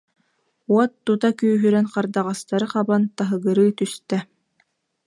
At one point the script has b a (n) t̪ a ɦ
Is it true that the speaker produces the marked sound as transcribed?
yes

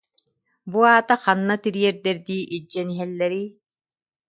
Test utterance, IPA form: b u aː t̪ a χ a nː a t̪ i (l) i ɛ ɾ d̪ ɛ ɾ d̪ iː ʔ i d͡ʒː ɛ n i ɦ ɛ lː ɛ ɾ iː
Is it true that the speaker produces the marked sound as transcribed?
no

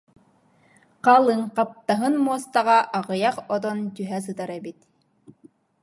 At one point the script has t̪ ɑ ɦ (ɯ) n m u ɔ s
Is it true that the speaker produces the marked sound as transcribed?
yes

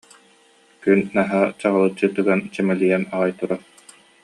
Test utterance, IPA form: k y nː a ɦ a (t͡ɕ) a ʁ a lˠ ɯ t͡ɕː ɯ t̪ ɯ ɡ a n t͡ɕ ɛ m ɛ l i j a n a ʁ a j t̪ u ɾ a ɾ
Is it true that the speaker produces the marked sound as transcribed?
yes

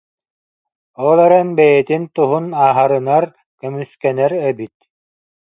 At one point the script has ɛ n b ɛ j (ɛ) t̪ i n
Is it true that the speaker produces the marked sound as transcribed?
yes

